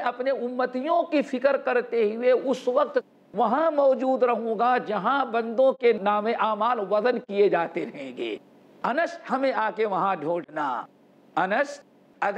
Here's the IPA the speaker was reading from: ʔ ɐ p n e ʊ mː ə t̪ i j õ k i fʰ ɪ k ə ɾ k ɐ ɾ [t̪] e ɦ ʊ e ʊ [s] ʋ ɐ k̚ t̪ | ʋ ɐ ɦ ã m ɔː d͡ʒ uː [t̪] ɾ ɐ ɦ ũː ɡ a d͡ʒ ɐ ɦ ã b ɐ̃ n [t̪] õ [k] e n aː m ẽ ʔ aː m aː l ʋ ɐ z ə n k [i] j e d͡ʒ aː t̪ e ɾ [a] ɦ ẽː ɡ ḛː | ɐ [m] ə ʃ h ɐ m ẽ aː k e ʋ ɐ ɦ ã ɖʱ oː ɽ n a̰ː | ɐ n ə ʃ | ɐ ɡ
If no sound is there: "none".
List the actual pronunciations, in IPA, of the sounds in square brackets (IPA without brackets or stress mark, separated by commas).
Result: t̪, s, d̪, d̪, k, i, ɐ, n